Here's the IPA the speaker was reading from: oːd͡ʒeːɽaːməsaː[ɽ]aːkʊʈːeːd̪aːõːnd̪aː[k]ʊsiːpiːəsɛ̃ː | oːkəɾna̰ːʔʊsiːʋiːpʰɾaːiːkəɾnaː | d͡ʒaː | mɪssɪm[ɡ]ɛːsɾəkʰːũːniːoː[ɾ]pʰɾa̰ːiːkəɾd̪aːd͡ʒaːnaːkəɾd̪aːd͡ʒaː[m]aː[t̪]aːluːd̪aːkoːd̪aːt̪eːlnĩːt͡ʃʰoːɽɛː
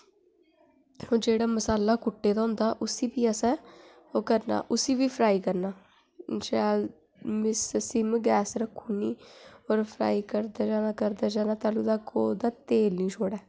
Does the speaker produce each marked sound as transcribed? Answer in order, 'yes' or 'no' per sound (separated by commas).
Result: no, no, yes, yes, no, yes